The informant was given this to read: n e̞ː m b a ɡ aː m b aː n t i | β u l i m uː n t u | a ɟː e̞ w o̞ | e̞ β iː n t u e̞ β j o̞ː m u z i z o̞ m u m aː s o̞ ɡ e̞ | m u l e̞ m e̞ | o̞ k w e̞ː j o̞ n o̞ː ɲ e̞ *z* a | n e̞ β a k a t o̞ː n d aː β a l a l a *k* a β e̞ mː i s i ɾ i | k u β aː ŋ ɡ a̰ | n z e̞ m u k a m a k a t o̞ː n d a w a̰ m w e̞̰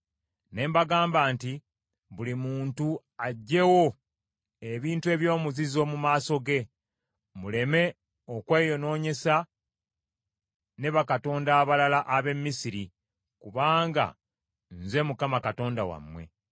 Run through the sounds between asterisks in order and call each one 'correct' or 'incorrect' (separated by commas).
incorrect, incorrect